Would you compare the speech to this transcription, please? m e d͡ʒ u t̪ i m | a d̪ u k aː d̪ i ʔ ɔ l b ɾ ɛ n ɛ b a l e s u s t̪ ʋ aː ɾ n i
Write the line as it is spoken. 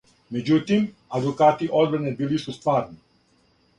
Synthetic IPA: m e d͡ʒ u t̪ i m | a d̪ u k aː t̪ i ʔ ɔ l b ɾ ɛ n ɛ b i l i s u s t̪ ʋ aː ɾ n i